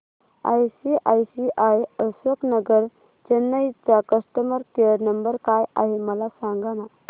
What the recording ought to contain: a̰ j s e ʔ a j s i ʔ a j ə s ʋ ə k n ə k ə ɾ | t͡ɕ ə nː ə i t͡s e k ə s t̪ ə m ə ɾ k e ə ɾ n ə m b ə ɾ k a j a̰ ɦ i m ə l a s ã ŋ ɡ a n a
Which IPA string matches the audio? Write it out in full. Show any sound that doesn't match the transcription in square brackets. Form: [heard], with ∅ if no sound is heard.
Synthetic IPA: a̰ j s [i] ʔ a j s i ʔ a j ə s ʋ ə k n ə [ɡ] ə ɾ | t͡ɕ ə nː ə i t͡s [a] k ə s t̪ ə m ə ɾ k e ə ɾ n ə m b ə ɾ k a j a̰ ɦ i m ə l a s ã ŋ ɡ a n a